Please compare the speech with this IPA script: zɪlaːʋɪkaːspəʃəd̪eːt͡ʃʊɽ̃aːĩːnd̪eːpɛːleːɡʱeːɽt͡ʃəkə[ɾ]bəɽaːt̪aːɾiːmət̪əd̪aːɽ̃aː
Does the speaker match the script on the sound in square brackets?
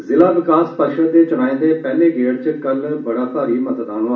no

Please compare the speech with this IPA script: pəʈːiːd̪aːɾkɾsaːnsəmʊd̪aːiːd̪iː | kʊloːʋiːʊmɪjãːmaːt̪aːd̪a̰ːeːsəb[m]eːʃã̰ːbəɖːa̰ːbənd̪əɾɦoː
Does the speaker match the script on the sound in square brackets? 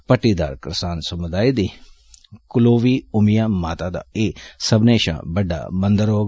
no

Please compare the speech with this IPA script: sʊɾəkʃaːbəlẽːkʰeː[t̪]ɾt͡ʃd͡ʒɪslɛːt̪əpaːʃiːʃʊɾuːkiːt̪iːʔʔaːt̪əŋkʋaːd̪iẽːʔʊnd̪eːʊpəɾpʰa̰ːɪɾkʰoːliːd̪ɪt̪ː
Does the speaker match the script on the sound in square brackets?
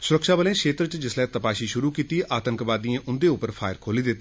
yes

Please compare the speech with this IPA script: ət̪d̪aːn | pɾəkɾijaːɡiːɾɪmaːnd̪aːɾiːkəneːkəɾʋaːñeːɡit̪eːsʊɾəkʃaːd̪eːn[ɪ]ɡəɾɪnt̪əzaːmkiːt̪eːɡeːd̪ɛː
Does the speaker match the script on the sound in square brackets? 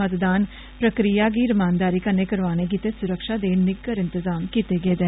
yes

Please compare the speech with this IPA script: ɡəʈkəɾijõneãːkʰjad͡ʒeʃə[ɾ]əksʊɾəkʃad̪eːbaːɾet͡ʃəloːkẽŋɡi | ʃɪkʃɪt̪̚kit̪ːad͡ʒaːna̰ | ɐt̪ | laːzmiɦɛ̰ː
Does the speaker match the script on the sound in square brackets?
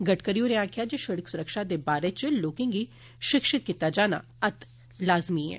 no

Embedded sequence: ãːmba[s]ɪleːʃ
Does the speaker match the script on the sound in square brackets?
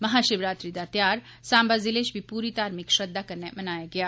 no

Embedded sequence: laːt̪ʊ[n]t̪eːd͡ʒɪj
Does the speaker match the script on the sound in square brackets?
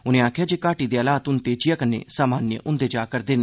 yes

